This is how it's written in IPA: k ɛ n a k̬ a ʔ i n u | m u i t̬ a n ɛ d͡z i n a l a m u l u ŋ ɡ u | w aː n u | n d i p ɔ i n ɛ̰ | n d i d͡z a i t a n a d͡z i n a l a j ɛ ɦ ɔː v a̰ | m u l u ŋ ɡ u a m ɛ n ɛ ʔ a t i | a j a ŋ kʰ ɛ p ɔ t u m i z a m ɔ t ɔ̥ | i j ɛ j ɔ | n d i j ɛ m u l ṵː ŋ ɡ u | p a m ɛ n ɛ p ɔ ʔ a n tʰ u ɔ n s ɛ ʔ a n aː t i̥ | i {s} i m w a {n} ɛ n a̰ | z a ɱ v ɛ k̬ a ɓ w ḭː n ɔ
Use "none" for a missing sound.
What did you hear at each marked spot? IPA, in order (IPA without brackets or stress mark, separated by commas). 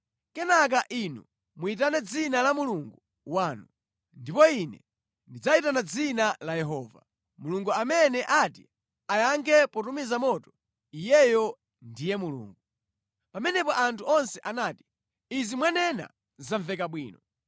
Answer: z, n